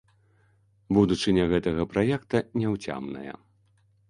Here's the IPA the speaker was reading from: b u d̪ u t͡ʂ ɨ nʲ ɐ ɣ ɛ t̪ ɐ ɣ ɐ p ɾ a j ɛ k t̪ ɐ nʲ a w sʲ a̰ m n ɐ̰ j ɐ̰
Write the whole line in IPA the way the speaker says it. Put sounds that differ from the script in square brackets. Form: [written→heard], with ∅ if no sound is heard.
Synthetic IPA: b u d̪ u t͡ʂ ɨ nʲ ɐ ɣ ɛ t̪ ɐ ɣ ɐ p ɾ a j ɛ k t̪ ɐ nʲ [a→ɛ] w [sʲ→t͡sʲ] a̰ m n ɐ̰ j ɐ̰

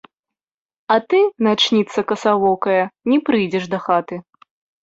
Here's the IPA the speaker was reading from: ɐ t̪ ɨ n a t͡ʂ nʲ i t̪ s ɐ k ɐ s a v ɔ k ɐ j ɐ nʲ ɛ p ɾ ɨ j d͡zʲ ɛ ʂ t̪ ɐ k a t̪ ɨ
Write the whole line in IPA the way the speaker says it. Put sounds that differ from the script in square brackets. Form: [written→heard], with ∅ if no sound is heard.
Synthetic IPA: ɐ t̪ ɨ n a t͡ʂ nʲ i t̪ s ɐ k ɐ s a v ɔ k ɐ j ɐ nʲ ɛ p ɾ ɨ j d͡zʲ ɛ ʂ [t̪→d̪] ɐ [k→x] a t̪ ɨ

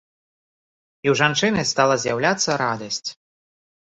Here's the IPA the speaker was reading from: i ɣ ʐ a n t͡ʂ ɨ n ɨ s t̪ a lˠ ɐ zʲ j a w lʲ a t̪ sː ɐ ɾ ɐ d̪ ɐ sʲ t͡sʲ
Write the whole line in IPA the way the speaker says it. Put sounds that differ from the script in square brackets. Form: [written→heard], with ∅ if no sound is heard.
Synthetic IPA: i [ɣ→w] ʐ a n t͡ʂ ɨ n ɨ s t̪ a lˠ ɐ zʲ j a w lʲ a t̪ sː ɐ ɾ [ɐ→a] d̪ ɐ sʲ t͡sʲ

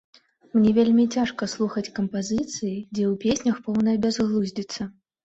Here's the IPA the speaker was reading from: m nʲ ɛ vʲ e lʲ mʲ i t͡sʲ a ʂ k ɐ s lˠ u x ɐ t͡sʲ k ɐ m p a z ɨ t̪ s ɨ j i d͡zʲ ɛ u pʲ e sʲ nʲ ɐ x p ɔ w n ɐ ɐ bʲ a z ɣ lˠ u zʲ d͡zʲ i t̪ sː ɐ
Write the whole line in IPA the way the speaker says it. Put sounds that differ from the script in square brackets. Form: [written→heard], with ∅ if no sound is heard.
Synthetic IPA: m nʲ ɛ vʲ e lʲ mʲ i t͡sʲ a ʂ k ɐ s lˠ u x ɐ t͡sʲ k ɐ m p a z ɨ t̪ s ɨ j i d͡zʲ ɛ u pʲ e sʲ nʲ ɐ x p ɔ w n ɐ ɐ bʲ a z ɣ lˠ u zʲ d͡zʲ i t̪ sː ɐ

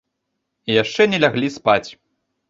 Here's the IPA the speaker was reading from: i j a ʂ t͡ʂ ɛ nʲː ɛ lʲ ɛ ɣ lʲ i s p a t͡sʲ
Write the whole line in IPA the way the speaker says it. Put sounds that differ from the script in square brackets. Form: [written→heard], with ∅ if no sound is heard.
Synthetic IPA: i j a ʂ t͡ʂ ɛ [nʲː→nʲ] ɛ lʲ [ɛ→a] ɣ lʲ i s p a t͡sʲ

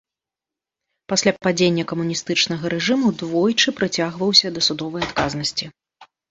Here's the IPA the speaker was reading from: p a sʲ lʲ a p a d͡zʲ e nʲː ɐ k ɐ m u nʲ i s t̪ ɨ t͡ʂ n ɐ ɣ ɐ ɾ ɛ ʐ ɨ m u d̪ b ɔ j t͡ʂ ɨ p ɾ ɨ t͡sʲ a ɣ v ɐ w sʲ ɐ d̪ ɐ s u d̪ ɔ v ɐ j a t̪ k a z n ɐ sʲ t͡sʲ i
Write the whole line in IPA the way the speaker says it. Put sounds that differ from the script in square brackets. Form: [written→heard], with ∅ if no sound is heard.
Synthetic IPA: p a sʲ lʲ a p a d͡zʲ e nʲː ɐ k ɐ m u nʲ i s t̪ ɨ t͡ʂ n ɐ ɣ ɐ ɾ ɛ ʐ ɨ m u d̪ [b→v] ɔ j t͡ʂ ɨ p ɾ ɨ t͡sʲ a ɣ v ɐ w sʲ ɐ d̪ ɐ s u d̪ ɔ v ɐ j a t̪ k a z n ɐ sʲ t͡sʲ i

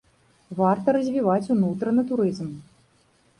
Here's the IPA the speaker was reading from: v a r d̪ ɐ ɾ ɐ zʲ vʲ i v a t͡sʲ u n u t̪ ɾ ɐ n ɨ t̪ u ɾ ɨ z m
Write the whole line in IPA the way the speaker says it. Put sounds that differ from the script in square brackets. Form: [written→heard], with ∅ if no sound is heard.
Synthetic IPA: v a r [d̪→t̪] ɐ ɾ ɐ zʲ vʲ i v a t͡sʲ u n u t̪ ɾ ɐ n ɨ t̪ u ɾ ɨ z m

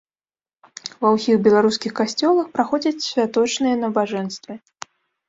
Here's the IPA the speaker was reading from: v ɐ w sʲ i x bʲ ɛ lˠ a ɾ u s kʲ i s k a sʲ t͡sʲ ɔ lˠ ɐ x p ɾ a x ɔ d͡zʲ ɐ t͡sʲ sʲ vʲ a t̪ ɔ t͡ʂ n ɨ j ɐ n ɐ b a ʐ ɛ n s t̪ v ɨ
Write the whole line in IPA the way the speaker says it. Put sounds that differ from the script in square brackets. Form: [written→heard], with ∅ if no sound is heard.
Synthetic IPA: v ɐ w sʲ i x bʲ ɛ lˠ a ɾ u s kʲ i [s→x] k a sʲ t͡sʲ ɔ lˠ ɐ x p ɾ a x ɔ d͡zʲ ɐ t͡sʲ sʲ vʲ a t̪ ɔ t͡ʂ n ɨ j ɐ n ɐ b a ʐ ɛ n s t̪ v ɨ

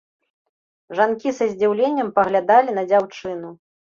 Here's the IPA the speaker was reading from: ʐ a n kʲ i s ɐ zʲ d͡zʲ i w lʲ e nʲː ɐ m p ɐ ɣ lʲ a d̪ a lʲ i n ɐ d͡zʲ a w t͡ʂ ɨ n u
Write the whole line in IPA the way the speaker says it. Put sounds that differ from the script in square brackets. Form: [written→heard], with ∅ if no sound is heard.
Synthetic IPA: ʐ a n kʲ i s ɐ zʲ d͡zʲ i w lʲ e nʲː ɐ m p ɐ ɣ lʲ a d̪ a lʲ i n ɐ d͡zʲ a w t͡ʂ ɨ n u

